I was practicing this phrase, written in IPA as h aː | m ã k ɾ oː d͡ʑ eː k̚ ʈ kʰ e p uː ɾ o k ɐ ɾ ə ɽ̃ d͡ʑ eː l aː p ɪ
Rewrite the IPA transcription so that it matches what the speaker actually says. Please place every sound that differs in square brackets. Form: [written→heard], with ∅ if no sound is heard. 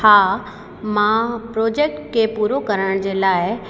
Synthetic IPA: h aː | m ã [k→p] ɾ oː d͡ʑ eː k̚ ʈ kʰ e p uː ɾ o k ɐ ɾ ə ɽ̃ d͡ʑ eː l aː [p→∅] ɪ